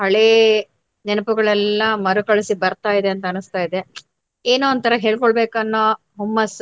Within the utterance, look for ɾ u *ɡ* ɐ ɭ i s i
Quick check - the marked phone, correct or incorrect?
incorrect